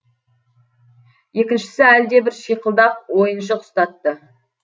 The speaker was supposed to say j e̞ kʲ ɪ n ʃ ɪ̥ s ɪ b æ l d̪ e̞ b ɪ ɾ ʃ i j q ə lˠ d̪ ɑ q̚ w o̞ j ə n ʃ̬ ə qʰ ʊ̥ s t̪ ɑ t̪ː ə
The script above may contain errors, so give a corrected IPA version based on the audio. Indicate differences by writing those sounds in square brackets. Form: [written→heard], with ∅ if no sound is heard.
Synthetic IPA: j e̞ kʲ ɪ n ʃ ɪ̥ s ɪ [b→∅] æ l d̪ e̞ b ɪ ɾ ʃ i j q ə lˠ d̪ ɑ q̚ w o̞ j ə n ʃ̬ ə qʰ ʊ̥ s t̪ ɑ t̪ː ə